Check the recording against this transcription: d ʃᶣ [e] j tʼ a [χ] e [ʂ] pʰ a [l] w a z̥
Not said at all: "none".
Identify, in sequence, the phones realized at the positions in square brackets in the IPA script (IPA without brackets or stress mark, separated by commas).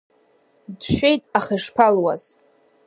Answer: e, χ, ʂ, l